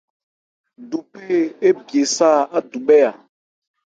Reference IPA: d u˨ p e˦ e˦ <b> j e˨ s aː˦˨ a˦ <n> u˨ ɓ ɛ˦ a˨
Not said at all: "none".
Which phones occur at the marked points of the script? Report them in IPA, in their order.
b, d

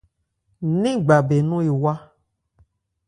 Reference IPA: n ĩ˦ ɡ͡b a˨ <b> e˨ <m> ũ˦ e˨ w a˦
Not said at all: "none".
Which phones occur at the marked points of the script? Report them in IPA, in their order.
b, n

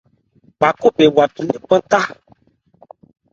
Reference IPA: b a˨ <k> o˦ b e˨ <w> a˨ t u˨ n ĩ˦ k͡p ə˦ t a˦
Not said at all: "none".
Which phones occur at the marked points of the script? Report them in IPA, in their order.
k, w

